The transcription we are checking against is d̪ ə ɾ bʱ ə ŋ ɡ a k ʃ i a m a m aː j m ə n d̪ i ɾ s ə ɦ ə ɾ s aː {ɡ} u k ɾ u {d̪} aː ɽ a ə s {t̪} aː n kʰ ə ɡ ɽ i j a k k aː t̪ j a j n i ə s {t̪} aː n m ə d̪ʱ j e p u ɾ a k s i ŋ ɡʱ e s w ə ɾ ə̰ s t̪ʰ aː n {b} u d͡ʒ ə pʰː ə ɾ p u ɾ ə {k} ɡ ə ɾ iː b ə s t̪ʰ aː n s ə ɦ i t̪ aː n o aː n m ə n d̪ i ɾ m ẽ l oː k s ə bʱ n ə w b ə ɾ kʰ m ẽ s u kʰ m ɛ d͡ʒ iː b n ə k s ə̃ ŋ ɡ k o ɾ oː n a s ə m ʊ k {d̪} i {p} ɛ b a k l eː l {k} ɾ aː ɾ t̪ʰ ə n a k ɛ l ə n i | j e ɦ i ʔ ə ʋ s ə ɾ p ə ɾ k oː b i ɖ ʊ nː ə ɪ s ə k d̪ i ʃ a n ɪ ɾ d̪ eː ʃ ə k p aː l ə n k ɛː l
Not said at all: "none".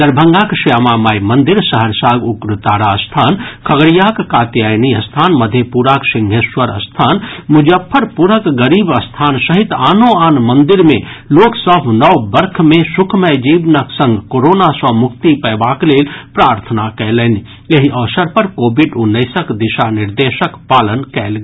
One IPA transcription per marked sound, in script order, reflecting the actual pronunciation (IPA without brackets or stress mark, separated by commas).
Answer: ɡ, t̪, t̪ʰ, t̪ʰ, m, k, t̪, p, p